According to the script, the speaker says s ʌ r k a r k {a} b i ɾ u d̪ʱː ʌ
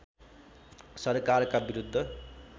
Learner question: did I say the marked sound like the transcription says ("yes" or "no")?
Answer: yes